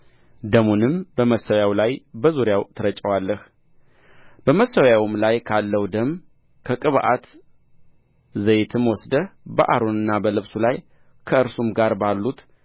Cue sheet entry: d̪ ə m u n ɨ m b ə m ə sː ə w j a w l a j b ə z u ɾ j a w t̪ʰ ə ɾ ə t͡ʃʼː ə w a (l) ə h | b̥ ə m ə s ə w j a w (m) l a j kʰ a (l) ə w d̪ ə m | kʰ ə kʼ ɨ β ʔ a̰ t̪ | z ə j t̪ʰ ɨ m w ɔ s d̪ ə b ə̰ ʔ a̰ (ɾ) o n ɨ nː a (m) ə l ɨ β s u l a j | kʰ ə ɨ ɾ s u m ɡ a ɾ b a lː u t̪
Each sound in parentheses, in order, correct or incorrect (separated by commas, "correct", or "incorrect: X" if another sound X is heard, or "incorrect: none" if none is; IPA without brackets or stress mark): incorrect: lː, correct, incorrect: lː, correct, incorrect: b